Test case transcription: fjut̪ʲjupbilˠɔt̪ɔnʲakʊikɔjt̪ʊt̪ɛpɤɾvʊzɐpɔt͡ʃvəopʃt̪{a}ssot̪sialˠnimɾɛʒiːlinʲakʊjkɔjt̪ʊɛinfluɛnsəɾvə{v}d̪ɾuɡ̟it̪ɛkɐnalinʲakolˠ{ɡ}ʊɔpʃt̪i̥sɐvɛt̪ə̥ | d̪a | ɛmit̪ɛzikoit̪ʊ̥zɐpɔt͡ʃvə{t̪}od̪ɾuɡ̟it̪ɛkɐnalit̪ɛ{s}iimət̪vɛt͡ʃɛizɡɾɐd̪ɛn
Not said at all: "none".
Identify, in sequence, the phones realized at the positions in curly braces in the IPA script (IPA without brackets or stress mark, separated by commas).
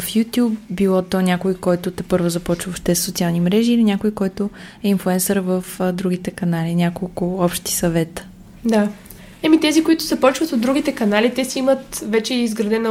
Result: ɛ, f, k, t̪, s